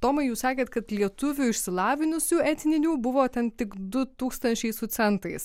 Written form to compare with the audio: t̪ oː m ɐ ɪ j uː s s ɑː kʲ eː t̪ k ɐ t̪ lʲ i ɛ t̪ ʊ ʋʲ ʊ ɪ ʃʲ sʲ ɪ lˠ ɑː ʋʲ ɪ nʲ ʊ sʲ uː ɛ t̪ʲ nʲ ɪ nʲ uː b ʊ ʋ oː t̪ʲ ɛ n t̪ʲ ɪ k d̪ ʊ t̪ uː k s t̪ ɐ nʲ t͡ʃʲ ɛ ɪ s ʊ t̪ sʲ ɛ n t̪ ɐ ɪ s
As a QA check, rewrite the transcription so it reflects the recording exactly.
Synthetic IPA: t̪ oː m ɐ ɪ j uː s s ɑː kʲ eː t̪ k ɐ t̪ lʲ i ɛ t̪ ʊ ʋʲ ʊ ɪ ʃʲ sʲ ɪ lˠ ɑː ʋʲ ɪ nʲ ʊ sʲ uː ɛ t̪ʲ nʲ ɪ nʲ uː b ʊ ʋ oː t̪ʲ ɛ n t̪ʲ ɪ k d̪ ʊ t̪ uː k s t̪ ɐ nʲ t͡ʃʲ ɛ ɪ s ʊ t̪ sʲ ɛ n t̪ ɐ ɪ s